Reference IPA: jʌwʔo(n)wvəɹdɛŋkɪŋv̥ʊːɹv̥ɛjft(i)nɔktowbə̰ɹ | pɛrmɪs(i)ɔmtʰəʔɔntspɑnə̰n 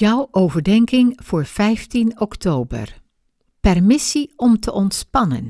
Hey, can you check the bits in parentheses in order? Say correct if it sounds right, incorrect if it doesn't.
incorrect: none, correct, correct

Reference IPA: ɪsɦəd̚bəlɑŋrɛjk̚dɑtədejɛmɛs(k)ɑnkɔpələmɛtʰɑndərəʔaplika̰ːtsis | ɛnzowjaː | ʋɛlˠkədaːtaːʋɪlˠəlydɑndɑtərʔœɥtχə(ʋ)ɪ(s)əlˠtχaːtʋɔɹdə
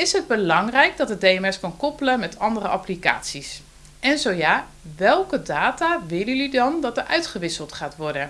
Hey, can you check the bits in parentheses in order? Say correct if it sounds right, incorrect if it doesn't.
correct, correct, correct

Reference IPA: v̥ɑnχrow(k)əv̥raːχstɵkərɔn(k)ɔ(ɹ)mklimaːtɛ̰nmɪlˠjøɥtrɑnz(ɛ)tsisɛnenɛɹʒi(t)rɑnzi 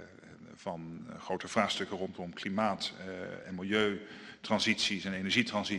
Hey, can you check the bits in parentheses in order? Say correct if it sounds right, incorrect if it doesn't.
incorrect: t, incorrect: t, incorrect: none, incorrect: i, correct

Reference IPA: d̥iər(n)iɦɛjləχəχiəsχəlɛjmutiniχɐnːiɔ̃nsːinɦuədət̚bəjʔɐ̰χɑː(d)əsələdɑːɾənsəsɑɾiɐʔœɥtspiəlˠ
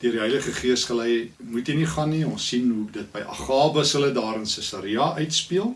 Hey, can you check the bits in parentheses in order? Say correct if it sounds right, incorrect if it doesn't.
incorrect: d, incorrect: b

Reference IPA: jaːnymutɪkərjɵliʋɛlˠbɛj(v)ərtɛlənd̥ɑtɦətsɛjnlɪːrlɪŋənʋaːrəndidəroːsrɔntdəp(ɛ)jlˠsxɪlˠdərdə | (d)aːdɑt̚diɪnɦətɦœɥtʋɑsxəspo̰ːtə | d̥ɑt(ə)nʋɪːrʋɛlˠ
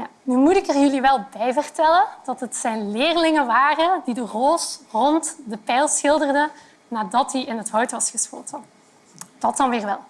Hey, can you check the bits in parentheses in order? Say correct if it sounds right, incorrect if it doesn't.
correct, correct, incorrect: n, incorrect: ɑ

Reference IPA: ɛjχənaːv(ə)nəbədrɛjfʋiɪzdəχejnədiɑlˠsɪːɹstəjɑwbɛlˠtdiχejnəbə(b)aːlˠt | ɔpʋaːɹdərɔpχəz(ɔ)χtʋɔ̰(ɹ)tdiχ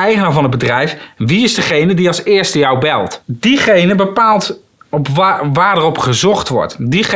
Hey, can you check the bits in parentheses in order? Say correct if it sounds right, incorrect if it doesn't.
incorrect: ɑ, incorrect: p, correct, correct

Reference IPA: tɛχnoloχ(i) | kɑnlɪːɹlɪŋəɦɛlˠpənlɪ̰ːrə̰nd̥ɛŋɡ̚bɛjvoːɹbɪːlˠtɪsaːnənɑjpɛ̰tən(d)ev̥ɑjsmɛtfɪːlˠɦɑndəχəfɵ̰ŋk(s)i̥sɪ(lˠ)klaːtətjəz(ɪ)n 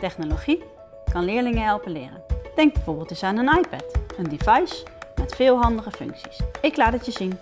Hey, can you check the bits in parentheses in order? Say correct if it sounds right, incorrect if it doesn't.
correct, correct, correct, incorrect: none, incorrect: i

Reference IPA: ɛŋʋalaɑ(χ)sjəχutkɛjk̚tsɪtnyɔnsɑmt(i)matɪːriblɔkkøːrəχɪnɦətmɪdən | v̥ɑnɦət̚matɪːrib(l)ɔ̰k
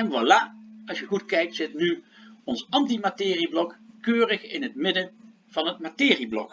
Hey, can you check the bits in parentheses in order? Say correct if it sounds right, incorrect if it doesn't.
incorrect: none, correct, correct

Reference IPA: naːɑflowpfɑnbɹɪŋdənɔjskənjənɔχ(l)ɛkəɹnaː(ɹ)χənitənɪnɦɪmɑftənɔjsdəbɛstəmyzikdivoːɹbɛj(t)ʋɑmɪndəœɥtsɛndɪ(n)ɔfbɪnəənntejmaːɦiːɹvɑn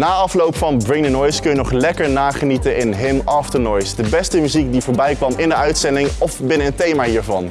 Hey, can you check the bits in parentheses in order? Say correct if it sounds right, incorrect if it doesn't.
correct, incorrect: none, incorrect: k, incorrect: ŋ

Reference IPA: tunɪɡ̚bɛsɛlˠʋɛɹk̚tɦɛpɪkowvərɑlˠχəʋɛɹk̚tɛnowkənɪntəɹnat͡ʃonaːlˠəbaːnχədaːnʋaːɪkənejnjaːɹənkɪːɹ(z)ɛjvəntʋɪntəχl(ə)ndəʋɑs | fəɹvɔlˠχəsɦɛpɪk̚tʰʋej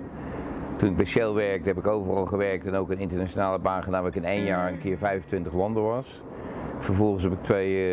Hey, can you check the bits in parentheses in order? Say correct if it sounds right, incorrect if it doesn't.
incorrect: v, incorrect: ɑ

